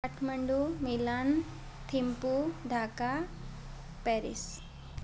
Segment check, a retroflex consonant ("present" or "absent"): present